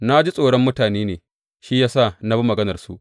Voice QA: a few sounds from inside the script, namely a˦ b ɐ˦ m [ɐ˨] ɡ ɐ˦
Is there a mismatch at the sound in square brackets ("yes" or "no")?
no